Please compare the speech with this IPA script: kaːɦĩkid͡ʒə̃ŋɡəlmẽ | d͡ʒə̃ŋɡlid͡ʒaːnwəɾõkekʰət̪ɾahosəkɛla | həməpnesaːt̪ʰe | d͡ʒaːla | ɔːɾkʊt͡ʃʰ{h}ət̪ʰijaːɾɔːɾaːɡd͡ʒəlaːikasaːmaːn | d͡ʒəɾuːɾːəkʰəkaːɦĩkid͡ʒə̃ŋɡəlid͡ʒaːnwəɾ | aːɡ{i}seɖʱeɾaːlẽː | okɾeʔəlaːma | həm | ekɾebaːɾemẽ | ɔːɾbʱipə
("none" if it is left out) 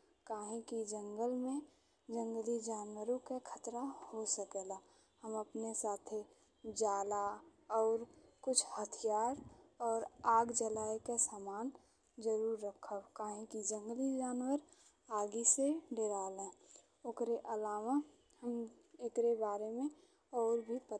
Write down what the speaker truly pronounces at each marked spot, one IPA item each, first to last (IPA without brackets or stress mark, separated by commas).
h, i